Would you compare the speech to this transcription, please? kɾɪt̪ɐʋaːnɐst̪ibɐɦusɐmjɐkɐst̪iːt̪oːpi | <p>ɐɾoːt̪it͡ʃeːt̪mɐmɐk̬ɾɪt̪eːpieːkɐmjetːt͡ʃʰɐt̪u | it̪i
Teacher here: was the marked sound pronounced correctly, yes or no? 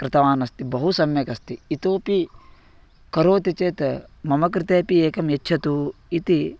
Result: no